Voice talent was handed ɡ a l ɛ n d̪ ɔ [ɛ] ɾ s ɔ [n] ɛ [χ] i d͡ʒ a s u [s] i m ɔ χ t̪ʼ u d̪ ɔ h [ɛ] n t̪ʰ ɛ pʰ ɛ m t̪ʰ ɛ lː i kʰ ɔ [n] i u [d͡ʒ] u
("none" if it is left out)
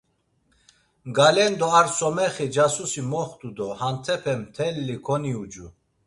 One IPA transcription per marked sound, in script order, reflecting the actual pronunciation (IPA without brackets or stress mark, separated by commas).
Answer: a, m, χ, s, a, n, d͡ʒ